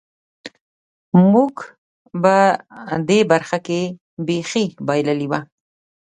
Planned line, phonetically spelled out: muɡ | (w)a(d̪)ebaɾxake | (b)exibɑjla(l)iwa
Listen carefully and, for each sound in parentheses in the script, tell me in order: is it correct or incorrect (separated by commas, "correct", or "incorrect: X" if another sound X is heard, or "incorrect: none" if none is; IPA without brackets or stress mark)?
incorrect: b, correct, correct, correct